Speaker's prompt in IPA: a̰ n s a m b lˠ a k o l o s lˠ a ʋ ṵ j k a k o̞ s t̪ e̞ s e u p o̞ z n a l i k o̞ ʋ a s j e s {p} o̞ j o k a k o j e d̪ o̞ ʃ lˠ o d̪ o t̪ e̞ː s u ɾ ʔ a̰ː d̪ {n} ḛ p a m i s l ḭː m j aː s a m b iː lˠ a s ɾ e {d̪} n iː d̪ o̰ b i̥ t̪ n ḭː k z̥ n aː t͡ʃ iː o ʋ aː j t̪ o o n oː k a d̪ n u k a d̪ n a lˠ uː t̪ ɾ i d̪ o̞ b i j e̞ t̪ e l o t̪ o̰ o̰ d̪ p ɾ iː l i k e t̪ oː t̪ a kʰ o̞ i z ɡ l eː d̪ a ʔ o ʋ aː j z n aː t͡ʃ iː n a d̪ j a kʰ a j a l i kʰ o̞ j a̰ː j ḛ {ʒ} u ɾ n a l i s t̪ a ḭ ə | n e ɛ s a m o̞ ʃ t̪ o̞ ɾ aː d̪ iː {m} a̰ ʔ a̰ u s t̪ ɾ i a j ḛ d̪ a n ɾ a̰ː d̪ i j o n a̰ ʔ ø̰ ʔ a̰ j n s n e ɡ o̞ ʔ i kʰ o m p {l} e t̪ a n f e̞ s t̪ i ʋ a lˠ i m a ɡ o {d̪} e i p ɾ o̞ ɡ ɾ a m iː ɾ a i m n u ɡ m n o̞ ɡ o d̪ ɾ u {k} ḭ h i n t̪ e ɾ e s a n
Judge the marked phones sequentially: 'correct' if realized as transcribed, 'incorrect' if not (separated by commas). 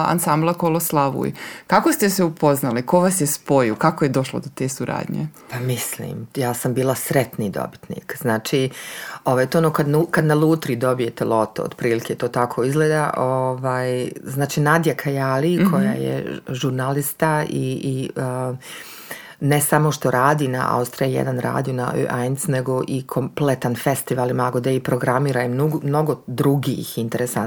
correct, incorrect, incorrect, correct, incorrect, correct, correct, incorrect